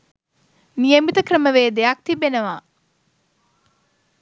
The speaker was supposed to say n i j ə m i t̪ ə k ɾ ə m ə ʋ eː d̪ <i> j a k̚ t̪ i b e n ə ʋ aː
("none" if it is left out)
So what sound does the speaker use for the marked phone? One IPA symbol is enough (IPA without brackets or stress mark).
e